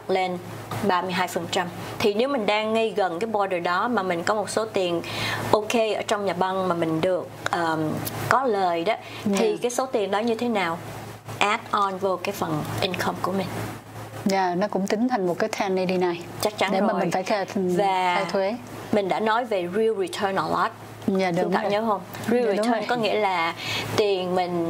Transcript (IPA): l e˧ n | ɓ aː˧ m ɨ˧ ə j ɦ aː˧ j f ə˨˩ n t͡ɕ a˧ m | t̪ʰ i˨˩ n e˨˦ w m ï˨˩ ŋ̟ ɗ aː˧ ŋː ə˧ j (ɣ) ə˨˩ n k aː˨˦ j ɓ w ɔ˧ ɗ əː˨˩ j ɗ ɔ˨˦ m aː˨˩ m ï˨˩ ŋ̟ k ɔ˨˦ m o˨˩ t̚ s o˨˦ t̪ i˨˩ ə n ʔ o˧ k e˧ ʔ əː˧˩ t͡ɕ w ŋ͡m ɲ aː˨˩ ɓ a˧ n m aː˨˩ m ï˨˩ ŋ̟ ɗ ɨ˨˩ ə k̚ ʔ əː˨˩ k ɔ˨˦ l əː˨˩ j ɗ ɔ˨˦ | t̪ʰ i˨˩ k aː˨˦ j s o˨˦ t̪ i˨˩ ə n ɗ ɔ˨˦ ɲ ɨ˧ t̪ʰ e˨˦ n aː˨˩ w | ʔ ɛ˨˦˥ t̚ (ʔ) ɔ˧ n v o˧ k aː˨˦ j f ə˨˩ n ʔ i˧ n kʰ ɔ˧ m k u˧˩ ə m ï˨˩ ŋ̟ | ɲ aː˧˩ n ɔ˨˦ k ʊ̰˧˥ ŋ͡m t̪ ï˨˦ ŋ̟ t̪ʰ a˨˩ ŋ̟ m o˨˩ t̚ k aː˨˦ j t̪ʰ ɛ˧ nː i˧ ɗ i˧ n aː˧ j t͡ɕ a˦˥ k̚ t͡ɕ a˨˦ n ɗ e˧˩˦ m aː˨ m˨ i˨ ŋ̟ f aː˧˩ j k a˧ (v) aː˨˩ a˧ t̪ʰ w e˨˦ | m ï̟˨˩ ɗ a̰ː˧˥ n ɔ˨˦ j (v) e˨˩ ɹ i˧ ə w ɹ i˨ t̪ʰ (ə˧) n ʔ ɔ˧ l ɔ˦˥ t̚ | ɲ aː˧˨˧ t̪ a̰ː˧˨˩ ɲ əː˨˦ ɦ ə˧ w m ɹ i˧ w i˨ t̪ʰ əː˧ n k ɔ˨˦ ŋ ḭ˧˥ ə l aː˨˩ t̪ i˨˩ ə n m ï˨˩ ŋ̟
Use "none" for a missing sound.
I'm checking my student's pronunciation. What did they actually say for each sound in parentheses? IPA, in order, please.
ɣ, ʔ, v, v, əː˧

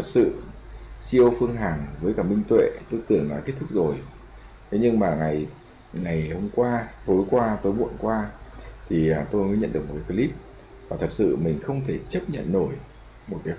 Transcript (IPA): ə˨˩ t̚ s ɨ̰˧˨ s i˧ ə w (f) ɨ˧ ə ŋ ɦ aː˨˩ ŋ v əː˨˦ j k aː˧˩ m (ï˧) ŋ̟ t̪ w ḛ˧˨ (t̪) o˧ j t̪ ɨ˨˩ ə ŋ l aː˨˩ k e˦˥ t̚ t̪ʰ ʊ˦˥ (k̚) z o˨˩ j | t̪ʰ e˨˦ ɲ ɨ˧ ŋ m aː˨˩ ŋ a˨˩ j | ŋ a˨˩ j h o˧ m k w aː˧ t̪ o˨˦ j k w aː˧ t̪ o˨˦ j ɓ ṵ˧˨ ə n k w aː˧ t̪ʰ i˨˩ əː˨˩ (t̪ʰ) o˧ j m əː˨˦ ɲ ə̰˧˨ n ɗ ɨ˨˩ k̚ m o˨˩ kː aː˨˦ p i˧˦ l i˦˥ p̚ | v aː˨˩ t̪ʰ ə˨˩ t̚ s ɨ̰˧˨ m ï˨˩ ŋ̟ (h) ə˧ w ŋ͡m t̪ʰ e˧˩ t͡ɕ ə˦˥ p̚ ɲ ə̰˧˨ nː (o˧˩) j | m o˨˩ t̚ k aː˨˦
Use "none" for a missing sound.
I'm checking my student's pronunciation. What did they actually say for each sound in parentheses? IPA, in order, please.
f, ï˧, t̪, k̚, t̪, x, o˧˩

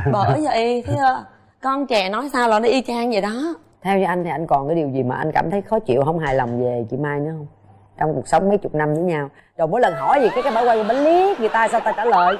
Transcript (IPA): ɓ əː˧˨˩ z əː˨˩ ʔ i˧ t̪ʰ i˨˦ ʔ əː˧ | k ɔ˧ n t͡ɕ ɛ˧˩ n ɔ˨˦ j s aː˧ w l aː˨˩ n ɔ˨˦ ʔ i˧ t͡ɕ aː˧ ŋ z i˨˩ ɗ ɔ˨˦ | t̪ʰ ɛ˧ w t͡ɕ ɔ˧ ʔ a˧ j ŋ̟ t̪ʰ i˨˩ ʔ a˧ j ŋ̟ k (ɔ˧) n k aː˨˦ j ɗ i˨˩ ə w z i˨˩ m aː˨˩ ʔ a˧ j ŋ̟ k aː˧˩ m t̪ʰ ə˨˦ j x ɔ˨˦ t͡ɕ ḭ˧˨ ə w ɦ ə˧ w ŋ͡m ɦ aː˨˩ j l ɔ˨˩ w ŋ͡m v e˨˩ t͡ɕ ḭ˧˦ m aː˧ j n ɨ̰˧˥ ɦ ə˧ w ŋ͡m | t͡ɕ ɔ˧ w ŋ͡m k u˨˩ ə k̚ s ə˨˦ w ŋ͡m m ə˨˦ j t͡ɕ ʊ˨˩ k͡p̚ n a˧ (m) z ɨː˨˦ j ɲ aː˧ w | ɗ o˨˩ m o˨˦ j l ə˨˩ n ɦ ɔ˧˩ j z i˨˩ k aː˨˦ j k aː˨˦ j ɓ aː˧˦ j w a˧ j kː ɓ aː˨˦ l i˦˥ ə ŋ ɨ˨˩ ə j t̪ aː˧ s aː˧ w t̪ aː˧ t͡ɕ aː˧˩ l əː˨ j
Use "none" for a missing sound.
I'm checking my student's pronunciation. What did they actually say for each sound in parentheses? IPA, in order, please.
ɔ˨˩, m

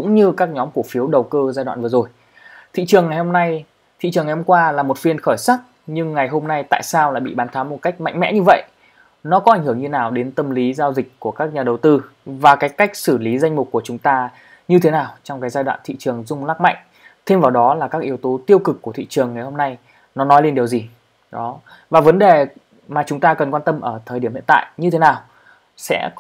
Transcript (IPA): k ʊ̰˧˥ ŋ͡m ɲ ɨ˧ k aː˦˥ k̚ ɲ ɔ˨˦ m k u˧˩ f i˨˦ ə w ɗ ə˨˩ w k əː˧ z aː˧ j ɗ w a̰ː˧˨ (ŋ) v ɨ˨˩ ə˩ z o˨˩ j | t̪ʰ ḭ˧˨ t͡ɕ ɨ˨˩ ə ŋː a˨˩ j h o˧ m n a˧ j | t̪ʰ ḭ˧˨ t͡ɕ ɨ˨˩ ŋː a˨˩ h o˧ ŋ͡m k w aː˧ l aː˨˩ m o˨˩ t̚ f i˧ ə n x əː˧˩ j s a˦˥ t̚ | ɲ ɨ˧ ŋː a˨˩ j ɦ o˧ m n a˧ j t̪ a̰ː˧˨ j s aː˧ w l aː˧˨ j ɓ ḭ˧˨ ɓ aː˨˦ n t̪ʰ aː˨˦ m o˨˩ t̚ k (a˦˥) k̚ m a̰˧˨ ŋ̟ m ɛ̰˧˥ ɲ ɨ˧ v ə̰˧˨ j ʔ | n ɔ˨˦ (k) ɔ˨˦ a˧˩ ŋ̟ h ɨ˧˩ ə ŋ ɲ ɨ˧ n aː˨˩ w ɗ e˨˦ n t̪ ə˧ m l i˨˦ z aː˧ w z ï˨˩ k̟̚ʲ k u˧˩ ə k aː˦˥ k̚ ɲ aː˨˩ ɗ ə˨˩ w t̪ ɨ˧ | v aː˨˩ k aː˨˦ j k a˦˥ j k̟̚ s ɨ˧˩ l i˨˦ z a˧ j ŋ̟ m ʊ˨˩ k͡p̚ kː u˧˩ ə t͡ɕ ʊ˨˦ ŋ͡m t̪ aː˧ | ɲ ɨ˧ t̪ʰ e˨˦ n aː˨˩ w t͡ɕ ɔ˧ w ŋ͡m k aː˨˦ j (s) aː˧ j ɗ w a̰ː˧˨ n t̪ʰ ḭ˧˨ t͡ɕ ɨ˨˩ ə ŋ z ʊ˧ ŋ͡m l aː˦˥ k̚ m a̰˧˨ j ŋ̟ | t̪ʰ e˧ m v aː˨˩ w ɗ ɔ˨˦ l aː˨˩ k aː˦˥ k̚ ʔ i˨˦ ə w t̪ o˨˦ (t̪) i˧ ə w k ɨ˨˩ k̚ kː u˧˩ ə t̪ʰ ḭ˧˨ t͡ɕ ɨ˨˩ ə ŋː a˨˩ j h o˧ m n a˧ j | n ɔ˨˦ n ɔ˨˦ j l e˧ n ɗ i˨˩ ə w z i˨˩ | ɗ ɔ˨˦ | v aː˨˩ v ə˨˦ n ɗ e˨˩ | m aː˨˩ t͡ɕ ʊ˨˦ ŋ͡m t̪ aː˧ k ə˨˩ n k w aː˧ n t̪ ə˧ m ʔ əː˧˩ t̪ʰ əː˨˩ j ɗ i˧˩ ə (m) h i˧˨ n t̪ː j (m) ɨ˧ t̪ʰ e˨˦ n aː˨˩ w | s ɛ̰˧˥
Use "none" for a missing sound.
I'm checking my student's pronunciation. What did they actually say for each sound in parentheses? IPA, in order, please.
n, a˦˥, k, z, t̪, m, ɲ

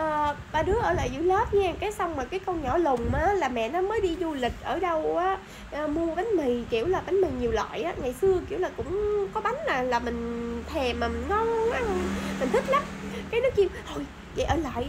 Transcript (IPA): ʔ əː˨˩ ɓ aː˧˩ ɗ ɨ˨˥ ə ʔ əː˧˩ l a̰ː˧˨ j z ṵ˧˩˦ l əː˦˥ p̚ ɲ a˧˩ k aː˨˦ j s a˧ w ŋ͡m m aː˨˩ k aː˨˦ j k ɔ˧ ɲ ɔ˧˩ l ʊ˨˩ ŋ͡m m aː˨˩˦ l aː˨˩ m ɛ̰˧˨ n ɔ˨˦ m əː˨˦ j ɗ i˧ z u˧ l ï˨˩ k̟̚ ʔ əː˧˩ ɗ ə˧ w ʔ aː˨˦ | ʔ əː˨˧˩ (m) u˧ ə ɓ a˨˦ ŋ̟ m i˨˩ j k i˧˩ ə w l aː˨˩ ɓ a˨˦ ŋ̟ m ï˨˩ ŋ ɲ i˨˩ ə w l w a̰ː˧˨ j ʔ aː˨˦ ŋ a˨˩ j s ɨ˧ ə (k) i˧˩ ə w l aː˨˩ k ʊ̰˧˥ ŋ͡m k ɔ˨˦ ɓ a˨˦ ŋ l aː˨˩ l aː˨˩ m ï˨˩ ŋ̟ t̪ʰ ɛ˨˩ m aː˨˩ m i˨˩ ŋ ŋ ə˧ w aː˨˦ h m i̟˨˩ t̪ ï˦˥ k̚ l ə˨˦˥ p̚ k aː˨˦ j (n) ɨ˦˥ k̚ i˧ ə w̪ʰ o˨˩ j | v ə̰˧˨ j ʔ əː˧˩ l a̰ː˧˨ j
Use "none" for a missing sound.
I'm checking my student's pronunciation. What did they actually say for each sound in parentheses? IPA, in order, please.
m, k, n

